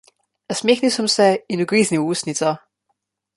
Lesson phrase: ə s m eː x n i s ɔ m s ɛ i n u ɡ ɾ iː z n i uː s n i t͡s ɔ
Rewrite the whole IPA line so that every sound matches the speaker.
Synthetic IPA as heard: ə s m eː x n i s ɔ m s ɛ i n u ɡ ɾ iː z n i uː s n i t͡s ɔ